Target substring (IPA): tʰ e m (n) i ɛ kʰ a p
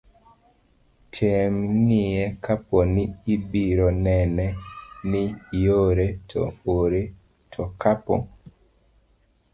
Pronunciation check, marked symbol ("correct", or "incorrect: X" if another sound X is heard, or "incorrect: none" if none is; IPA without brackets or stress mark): incorrect: ŋ